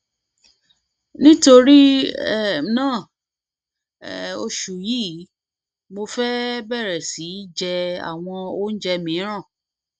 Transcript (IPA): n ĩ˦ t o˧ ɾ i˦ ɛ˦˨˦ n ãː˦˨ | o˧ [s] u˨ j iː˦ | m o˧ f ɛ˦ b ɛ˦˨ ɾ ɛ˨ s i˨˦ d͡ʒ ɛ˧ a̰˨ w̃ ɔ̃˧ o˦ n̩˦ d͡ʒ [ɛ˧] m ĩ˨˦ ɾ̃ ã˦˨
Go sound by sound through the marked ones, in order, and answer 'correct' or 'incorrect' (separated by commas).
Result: incorrect, correct